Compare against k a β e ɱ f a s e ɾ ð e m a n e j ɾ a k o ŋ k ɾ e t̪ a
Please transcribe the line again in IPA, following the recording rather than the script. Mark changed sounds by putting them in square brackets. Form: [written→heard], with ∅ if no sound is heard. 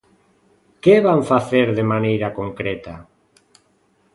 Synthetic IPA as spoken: k [a→e] β [e→a] ɱ f a [s→θ] e ɾ ð e m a n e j ɾ a k o ŋ k ɾ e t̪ a

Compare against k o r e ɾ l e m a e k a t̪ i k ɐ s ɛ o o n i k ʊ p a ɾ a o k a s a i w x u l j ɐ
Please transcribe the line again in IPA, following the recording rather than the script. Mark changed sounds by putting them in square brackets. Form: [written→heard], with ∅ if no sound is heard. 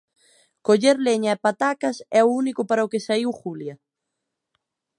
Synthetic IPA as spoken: k o [r→ʎ] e ɾ l e [m→ɲ] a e [k→p] a t̪ [i→a] k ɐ s ɛ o [o→u] n i k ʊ p a ɾ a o k [a→e] s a i w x u l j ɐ

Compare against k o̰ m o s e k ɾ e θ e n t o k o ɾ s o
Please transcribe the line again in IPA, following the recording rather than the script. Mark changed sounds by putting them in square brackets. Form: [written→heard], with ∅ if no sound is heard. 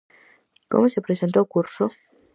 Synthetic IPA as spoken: k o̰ m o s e [k→p] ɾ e [θ→s] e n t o k [o→u] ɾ s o

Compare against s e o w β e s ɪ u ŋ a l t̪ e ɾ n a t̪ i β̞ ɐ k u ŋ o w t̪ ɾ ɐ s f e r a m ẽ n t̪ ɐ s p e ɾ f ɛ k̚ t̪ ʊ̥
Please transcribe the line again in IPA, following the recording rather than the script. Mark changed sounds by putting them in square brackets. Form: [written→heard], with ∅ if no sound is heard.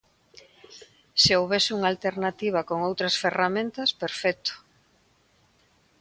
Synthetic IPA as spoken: s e o w β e s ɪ u ŋ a l t̪ e ɾ n a t̪ i β̞ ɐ k [u→o] ŋ o w t̪ ɾ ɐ s f e r a m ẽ n t̪ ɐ s p e ɾ f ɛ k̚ t̪ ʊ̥

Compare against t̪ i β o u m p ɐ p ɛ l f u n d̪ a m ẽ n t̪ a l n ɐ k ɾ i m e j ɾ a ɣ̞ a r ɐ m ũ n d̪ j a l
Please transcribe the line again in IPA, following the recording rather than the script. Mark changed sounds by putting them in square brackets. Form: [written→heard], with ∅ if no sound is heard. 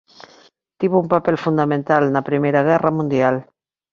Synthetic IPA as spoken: t̪ i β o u m p [ɐ→a] p ɛ l f u n d̪ a m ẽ n t̪ a l n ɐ [k→p] ɾ i m e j ɾ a ɣ̞ [a→ɛ] r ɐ m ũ n d̪ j a l

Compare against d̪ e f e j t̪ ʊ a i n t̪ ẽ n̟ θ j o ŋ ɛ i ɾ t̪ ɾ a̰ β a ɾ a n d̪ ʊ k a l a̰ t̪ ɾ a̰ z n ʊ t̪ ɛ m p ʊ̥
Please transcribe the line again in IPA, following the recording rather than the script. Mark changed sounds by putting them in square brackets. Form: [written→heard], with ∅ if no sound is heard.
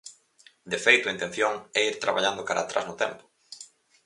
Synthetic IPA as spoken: d̪ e f e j t̪ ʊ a i n t̪ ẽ n̟ θ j o ŋ ɛ i ɾ t̪ ɾ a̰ β a [ɾ→ʎ] a n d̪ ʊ k a [l→ɾ] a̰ t̪ ɾ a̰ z n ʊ t̪ ɛ m p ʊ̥

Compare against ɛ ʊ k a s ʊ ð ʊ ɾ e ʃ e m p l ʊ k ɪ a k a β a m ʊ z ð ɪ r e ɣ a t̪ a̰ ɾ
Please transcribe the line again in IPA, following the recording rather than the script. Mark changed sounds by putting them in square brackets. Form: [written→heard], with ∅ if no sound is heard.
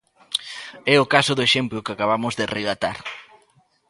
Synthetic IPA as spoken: ɛ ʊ k a s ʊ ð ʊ [ɾ→∅] e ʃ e m p l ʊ k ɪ a k a β a m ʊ z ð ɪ r e ɣ a t̪ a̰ ɾ

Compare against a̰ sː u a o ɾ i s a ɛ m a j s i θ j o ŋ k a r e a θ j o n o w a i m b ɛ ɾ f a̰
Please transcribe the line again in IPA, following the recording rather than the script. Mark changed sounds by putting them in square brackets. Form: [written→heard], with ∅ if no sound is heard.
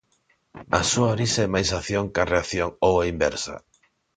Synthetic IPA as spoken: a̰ [sː→s] u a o ɾ i s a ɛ m a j s [i→a] θ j o ŋ k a r e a θ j o [n→ŋ] o w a i m b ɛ ɾ [f→s] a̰

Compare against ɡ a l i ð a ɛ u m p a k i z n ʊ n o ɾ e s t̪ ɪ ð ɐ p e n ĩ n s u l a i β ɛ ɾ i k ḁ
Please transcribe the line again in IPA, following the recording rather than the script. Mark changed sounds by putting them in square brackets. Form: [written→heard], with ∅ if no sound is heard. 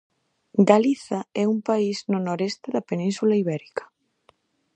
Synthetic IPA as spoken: ɡ a l i [ð→θ] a ɛ u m p a [k→∅] i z n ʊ n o ɾ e s t̪ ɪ ð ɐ p e n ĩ n s u l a i β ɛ ɾ i k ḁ

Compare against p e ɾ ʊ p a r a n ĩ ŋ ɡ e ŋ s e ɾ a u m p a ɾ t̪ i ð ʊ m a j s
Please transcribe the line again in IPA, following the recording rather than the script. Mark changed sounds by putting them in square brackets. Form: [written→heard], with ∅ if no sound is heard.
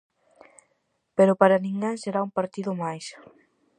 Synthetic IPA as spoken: p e ɾ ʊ p a [r→ɾ] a n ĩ ŋ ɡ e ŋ s e ɾ a u m p a ɾ t̪ i ð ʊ m a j s

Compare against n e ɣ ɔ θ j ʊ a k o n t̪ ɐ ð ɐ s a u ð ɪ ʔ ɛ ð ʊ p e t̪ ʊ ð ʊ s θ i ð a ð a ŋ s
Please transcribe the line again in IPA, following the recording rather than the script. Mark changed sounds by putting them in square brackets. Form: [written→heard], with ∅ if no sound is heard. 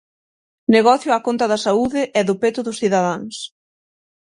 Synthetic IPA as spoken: n e ɣ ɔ θ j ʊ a k o n t̪ ɐ ð ɐ s a u ð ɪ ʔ ɛ ð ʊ p e t̪ ʊ ð ʊ s θ i ð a ð a ŋ s

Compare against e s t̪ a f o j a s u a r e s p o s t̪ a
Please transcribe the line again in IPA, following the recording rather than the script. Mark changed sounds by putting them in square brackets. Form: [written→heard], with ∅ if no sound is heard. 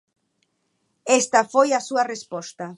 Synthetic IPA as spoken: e s t̪ a f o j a s u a r e s p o s t̪ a

